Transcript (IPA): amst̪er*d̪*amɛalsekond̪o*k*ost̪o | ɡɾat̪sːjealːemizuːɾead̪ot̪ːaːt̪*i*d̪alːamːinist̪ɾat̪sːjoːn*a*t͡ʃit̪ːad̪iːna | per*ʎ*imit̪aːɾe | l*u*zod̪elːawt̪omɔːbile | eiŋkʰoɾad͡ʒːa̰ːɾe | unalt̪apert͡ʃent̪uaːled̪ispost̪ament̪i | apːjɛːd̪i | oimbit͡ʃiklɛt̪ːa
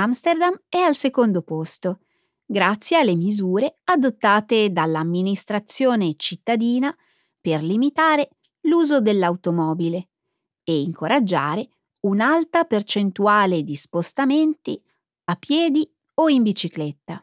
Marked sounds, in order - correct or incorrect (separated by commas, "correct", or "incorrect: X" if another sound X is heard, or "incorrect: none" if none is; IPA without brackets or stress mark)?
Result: correct, incorrect: p, incorrect: e, incorrect: e, incorrect: l, incorrect: uː